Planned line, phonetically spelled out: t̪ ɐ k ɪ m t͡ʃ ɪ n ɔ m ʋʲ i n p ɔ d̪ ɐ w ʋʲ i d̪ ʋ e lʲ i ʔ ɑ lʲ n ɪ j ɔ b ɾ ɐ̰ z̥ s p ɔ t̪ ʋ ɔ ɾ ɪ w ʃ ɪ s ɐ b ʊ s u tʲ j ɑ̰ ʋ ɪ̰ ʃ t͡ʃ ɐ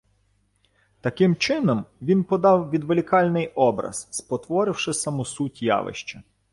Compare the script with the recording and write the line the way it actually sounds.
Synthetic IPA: t̪ ɐ k ɪ m t͡ʃ ɪ n ɔ m ʋʲ i n p ɔ d̪ ɑ w ʋʲ i d̪ ʋ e lʲ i k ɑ lʲ n ɪ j ɔ b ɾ ɐ̰ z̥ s p ɔ t̪ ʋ ɔ ɾ ɪ w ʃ ɪ s ɐ m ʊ s u tʲ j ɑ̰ ʋ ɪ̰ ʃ t͡ʃ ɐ